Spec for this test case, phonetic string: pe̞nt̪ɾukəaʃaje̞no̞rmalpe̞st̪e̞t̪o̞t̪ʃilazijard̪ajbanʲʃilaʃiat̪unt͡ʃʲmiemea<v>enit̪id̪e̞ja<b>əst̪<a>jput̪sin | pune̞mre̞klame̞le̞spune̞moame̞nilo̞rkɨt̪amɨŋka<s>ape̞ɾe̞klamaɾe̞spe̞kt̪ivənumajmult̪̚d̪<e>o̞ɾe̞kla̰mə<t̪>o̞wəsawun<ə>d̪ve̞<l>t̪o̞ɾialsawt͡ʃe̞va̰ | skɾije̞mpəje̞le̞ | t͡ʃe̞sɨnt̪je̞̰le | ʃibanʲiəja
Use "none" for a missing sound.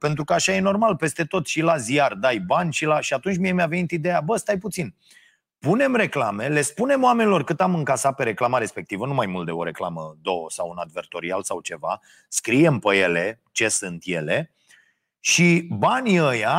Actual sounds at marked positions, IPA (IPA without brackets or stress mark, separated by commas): v, b, a, s, e, d̪, a, r